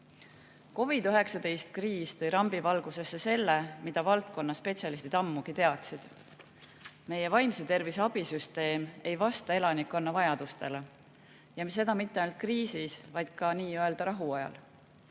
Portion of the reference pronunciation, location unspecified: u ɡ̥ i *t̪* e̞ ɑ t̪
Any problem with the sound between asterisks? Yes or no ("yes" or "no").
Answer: no